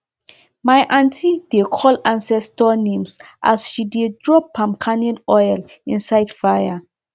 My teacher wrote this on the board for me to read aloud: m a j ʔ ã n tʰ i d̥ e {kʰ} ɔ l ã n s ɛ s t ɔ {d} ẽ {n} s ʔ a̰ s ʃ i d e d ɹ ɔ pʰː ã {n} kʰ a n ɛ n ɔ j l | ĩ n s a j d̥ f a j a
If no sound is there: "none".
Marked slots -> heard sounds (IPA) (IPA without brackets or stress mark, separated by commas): kʰ, n, m, m